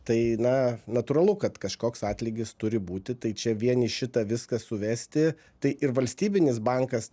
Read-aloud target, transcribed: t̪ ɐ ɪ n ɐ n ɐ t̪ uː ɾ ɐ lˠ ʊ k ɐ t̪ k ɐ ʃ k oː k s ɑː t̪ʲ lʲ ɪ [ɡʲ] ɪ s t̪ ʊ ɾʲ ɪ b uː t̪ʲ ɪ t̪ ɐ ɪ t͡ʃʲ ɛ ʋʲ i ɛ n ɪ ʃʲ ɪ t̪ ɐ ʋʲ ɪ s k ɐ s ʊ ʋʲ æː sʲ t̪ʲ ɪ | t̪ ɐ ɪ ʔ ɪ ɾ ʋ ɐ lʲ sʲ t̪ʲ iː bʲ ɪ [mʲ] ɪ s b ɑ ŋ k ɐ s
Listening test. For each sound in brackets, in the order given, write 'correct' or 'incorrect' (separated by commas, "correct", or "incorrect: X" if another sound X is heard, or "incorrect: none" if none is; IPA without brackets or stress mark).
correct, incorrect: nʲ